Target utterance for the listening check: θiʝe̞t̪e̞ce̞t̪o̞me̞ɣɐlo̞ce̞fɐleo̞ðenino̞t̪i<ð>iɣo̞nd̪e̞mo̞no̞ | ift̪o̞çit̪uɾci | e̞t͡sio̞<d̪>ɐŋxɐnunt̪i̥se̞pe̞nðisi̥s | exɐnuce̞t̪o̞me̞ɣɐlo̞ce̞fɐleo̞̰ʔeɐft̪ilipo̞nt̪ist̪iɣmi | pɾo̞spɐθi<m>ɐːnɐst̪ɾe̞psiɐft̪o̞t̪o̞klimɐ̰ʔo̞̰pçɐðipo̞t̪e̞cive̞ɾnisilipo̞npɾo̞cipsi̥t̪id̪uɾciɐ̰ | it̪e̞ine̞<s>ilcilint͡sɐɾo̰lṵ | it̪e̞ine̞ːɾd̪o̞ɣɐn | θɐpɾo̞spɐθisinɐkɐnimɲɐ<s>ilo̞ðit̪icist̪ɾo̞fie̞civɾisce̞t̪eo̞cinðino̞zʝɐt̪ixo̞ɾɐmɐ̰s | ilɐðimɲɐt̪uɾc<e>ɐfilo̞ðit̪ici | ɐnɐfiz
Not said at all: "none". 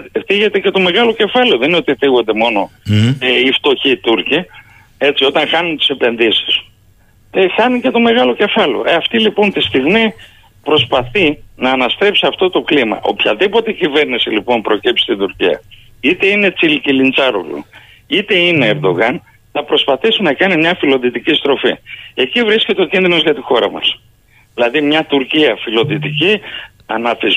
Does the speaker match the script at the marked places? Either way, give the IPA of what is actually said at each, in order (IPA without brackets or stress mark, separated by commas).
θ, t̪, n, t͡s, f, i